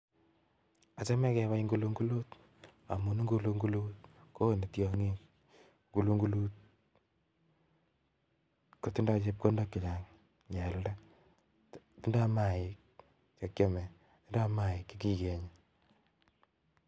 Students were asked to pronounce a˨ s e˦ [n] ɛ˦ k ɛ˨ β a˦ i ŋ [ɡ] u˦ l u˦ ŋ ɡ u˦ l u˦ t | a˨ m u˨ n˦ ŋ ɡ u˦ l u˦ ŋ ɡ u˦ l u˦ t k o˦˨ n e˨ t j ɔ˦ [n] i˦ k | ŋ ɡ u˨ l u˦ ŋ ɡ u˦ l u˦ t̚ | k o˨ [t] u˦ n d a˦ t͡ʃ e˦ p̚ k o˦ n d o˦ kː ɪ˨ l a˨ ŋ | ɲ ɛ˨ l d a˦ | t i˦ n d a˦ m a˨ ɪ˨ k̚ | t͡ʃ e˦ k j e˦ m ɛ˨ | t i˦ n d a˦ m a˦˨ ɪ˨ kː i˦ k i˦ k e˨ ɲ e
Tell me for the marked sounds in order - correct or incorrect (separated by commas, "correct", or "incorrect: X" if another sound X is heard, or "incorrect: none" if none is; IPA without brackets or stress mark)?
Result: incorrect: m, correct, incorrect: ŋ, correct